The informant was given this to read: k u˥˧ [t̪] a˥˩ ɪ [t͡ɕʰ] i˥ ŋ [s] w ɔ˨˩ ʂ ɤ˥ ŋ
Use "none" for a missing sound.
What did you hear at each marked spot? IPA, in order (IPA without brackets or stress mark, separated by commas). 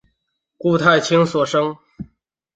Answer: t̪ʰ, t͡ɕʰ, s